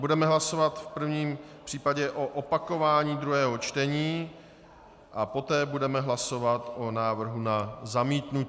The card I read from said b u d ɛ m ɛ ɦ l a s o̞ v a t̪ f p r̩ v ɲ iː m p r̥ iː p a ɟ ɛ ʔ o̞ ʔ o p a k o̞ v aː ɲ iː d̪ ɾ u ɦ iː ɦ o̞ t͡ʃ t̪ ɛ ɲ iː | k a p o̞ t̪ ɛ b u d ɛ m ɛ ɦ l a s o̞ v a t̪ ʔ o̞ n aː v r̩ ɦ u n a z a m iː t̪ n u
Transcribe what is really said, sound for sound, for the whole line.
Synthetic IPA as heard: b u d ɛ m ɛ ɦ l a s o̞ v a t̪ f p r̩ v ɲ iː m p r̥ iː p a ɟ ɛ ʔ o̞ ʔ o p a k o̞ v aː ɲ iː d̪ ɾ u ɦ ɛː ɦ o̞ t͡ʃ t̪ ɛ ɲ iː | ʔ a p o̞ t̪ ɛː b u d ɛ m ɛ ɦ l a s o̞ v a t̪ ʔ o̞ n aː v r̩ ɦ u n a z a m iː t̪ n u